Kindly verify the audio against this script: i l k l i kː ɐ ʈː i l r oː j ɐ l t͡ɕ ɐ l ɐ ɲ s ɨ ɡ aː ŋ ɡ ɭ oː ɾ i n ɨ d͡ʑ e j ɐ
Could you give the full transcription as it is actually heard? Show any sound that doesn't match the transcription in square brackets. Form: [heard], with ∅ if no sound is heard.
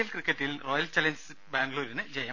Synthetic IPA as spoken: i l k [r] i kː ɐ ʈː i l r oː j ɐ l t͡ɕ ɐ l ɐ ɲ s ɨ [b] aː ŋ ɡ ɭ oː ɾ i n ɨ d͡ʑ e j ɐ

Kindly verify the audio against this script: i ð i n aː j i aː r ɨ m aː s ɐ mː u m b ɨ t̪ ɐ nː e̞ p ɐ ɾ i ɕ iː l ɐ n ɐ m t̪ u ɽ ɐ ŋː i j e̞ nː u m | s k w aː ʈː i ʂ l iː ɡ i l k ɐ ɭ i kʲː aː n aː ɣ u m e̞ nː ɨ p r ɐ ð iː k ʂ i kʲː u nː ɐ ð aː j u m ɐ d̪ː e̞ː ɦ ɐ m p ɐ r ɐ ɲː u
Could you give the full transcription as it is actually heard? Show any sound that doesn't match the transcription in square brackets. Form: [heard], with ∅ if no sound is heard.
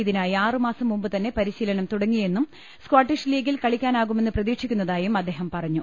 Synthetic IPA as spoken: i ð i n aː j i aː r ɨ m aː s ɐ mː u m b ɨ t̪ ɐ nː e̞ p ɐ ɾ i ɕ iː l ɐ n ɐ m t̪ u ɽ ɐ ŋː i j e̞ nː u m | s k w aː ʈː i ʂ l iː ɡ i l k ɐ ɭ i kʲː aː n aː ɣ u m e̞ nː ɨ p r ɐ ð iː k ʂ i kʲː u nː ɐ ð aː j u m ɐ d̪ː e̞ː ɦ ɐ m p ɐ r ɐ ɲː u

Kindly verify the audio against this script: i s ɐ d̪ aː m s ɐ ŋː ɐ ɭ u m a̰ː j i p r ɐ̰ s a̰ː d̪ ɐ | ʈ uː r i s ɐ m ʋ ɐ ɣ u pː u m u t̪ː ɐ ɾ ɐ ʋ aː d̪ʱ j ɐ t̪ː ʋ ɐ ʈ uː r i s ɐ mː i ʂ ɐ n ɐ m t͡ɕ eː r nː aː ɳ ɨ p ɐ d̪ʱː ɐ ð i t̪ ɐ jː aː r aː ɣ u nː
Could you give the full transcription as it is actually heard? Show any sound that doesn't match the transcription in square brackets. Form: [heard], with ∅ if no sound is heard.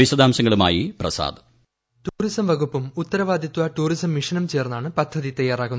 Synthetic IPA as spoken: i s ɐ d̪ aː m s ɐ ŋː ɐ ɭ u m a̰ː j i p r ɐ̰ s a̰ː d̪ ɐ | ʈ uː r i s ɐ m ʋ ɐ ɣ u pː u m u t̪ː ɐ ɾ ɐ ʋ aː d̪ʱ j ɐ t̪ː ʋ ɐ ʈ uː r i s ɐ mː i ʂ ɐ n ɐ m t͡ɕ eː r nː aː ɳ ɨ p ɐ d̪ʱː ɐ ð i t̪ ɐ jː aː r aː ɣ u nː

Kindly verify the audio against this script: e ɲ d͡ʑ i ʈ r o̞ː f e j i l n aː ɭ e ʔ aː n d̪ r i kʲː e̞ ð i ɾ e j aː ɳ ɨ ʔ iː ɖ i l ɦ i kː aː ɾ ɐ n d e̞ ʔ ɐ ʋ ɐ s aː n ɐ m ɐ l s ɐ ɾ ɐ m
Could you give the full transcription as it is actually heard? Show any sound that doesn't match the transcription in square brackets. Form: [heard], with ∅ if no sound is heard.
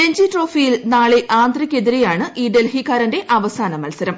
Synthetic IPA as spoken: e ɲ d͡ʑ i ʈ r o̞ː f [i] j i l n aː ɭ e ʔ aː n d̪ r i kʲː e̞ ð i ɾ e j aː ɳ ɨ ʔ iː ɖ [e] l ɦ i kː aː ɾ ɐ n d e̞ ʔ ɐ ʋ ɐ s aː n ɐ m ɐ l s ɐ ɾ ɐ m

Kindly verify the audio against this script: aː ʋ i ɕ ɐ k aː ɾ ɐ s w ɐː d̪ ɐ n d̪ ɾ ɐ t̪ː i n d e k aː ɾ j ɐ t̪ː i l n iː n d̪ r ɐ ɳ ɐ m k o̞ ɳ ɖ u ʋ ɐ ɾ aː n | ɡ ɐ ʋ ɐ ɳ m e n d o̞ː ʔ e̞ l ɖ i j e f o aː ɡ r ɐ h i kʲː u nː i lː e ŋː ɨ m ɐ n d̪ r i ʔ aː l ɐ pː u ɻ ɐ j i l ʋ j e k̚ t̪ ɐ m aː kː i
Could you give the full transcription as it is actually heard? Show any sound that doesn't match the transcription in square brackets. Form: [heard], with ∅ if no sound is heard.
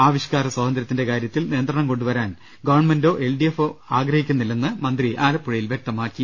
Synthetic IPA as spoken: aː ʋ i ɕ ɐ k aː ɾ ɐ s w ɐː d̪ ɐ n d̪ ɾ ɐ t̪ː i n d e k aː ɾ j ɐ t̪ː i l n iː n d̪ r ɐ ɳ ɐ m k o̞ ɳ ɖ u ʋ ɐ ɾ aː n | ɡ ɐ ʋ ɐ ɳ m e n d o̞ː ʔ e̞ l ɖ i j e f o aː ɡ r ɐ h i kʲː u nː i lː e [nː] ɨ m ɐ n d̪ r i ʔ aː l ɐ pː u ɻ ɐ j i l ʋ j e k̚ t̪ ɐ m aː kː i

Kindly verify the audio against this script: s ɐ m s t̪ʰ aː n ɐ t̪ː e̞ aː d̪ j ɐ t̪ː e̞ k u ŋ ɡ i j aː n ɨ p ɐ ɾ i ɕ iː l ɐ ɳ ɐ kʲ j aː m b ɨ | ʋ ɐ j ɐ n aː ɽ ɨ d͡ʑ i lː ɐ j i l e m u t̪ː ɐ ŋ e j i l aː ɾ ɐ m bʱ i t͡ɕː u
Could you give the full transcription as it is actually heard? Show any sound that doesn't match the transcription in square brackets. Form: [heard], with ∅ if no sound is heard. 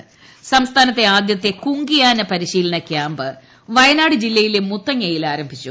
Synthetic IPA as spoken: s ɐ m s t̪ʰ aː n ɐ t̪ː e̞ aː d̪ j ɐ t̪ː e̞ k u ŋ ɡ i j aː n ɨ p ɐ ɾ i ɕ iː l ɐ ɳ ɐ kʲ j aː m b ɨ | ʋ ɐ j ɐ n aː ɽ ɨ d͡ʑ i lː ɐ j i l e m u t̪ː ɐ ŋ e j i l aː ɾ ɐ m bʱ i t͡ɕː u

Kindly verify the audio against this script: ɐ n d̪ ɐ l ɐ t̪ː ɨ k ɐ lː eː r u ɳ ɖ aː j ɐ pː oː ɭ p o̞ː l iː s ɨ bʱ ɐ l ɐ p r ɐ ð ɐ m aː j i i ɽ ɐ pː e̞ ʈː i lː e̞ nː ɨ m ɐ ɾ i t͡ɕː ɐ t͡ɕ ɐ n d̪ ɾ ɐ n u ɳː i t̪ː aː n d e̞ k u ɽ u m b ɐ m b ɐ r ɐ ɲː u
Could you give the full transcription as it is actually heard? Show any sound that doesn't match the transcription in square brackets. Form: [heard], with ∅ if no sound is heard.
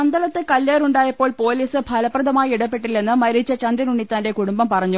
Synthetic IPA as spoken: ɐ n d̪ ɐ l ɐ t̪ː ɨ k ɐ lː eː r u ɳ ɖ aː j ɐ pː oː ɭ p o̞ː l iː s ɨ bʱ ɐ l ɐ p r ɐ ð ɐ m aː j i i ɽ ɐ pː e̞ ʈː i lː e̞ nː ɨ m ɐ ɾ i t͡ɕː ɐ t͡ɕ ɐ n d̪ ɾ ɐ n u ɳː i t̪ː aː n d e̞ k u ɽ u m b ɐ m [p] ɐ r ɐ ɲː u

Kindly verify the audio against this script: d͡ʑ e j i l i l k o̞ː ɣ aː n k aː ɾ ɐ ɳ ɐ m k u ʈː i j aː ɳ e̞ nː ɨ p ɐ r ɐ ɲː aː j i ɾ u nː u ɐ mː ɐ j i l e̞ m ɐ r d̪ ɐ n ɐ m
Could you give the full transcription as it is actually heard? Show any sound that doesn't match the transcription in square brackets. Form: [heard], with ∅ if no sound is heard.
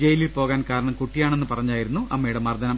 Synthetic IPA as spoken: d͡ʑ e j i l i l [p] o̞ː ɣ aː n k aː ɾ ɐ ɳ ɐ m k u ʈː i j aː ɳ e̞ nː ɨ p ɐ r ɐ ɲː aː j i ɾ u nː u ɐ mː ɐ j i [ɽ] e̞ m ɐ r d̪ ɐ n ɐ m

